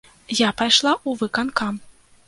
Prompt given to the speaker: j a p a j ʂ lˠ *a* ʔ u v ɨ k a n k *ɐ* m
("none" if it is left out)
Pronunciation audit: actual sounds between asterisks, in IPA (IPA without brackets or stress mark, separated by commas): a, a